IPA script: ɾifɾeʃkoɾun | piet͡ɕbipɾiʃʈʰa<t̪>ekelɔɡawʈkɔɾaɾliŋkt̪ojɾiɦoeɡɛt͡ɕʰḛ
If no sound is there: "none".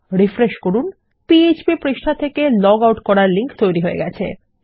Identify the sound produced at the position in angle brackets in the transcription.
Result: t̪ʰ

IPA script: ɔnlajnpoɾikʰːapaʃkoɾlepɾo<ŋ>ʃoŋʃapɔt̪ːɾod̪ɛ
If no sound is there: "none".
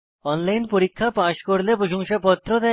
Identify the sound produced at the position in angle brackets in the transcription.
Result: none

